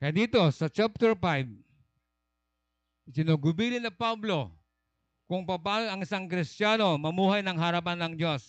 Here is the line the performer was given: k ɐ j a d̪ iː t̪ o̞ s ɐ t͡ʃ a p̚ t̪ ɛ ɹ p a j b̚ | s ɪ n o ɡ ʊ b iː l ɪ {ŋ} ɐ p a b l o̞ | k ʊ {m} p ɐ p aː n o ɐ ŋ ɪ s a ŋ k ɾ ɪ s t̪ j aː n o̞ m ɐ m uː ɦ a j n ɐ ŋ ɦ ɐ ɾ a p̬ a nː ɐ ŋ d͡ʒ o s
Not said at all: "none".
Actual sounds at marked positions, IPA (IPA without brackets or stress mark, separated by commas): n, ŋ